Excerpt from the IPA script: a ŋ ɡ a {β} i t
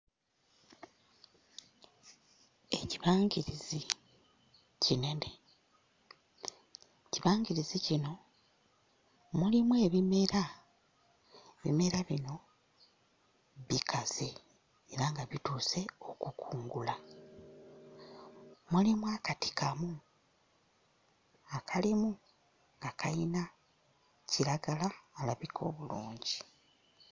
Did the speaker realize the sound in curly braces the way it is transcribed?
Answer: yes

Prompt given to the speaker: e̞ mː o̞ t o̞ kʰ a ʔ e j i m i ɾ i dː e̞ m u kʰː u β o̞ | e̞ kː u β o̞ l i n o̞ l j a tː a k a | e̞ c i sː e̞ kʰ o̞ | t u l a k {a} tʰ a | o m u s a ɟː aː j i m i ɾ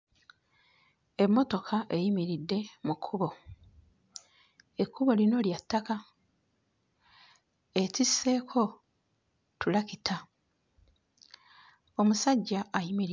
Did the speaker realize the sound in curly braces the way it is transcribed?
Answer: no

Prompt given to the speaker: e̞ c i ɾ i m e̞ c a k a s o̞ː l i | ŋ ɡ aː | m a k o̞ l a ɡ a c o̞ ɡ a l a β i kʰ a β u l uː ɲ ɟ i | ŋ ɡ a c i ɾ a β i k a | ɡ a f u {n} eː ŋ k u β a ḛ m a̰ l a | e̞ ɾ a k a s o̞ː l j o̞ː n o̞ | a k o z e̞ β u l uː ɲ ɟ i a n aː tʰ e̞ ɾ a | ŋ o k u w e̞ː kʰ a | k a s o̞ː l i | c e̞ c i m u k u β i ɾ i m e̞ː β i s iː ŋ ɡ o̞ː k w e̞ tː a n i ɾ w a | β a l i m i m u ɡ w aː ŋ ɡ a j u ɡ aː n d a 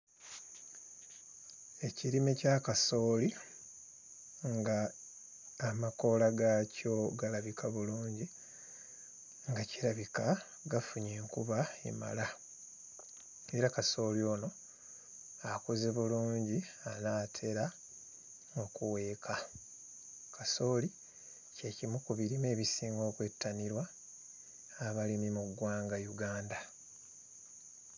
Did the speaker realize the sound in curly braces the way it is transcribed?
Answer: no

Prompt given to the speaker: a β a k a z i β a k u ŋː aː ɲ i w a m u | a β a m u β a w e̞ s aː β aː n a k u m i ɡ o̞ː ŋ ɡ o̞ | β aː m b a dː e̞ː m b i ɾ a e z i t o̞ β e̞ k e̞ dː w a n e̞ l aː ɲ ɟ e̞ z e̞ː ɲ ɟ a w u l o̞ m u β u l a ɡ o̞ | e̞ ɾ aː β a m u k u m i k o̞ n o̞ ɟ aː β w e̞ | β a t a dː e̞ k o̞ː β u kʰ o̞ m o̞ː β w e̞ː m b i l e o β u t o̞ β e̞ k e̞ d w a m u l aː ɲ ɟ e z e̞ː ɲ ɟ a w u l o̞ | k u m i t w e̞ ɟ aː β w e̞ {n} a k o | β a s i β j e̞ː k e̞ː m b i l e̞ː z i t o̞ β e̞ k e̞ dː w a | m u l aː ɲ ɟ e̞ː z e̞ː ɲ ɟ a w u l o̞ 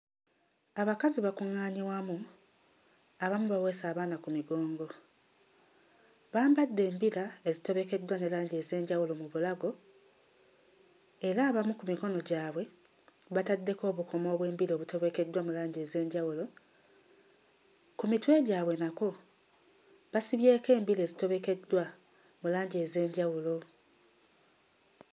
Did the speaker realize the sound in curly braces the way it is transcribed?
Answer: yes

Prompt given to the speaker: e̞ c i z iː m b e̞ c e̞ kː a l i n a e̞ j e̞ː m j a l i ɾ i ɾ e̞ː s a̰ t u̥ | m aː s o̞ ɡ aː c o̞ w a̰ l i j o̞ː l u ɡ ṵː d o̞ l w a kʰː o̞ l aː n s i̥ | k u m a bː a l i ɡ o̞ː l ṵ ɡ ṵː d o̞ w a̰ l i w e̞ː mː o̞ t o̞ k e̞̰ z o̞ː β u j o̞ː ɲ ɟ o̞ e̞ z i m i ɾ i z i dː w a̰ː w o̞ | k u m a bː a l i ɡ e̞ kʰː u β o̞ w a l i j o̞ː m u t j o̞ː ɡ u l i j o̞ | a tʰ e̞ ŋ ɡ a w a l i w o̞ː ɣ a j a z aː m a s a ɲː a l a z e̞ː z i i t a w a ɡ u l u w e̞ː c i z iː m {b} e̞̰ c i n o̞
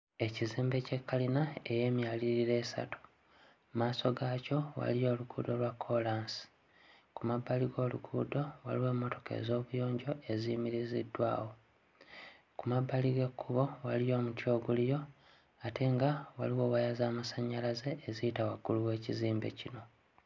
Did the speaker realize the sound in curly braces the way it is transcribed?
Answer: yes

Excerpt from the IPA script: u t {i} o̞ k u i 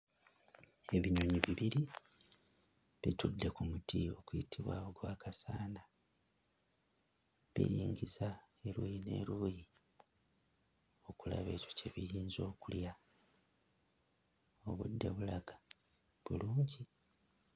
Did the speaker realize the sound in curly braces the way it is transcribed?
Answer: yes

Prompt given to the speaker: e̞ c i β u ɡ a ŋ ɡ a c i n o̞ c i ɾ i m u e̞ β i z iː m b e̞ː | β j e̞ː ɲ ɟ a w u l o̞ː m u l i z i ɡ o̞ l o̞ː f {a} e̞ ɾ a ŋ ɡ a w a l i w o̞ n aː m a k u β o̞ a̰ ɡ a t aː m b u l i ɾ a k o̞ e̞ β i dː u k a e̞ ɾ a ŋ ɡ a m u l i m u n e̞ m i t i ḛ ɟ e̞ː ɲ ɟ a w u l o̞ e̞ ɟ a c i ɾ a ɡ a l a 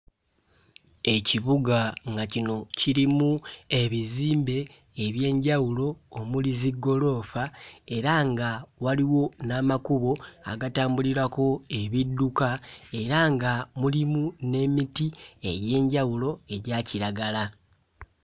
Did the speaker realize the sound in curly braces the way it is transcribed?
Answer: yes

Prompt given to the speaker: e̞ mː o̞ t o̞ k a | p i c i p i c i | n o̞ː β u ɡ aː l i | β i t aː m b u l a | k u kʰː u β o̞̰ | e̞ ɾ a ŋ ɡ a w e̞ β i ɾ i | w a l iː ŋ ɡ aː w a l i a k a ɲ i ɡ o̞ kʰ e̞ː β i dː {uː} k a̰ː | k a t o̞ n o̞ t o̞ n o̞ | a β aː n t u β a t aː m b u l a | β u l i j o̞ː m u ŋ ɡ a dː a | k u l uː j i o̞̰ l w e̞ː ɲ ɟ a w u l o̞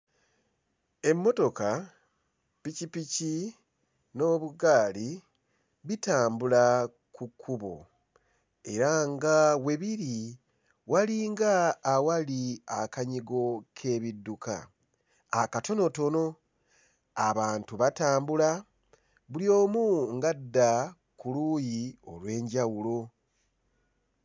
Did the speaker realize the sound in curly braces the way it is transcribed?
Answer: no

